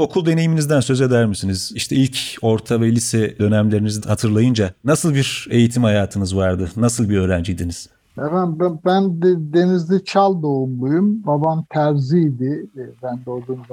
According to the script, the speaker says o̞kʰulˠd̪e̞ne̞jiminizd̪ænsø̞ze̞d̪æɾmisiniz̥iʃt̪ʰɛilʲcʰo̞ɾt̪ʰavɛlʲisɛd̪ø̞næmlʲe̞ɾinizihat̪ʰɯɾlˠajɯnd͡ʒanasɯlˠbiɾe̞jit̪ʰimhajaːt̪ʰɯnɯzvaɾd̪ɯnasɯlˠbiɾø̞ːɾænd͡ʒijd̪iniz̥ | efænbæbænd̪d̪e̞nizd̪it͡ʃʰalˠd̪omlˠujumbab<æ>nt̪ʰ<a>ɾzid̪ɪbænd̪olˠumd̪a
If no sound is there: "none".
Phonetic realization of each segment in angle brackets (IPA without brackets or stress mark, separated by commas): a, æ